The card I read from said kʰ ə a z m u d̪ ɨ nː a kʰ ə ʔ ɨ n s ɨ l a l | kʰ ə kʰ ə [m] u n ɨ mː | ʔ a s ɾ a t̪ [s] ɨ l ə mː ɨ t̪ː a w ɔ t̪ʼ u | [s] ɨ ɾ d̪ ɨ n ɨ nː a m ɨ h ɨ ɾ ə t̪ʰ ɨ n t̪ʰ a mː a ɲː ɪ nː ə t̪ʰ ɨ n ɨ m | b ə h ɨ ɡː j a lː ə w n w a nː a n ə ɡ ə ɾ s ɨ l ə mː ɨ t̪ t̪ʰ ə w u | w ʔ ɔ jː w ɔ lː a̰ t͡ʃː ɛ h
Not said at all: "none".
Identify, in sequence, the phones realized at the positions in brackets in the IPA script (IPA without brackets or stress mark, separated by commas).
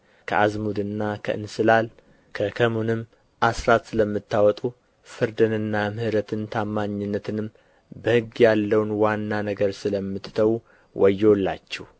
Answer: m, s, f